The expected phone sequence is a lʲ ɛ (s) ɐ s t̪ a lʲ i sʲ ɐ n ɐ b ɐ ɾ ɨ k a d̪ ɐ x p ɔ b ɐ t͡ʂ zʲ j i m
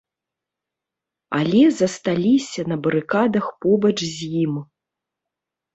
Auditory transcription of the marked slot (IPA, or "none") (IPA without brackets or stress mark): z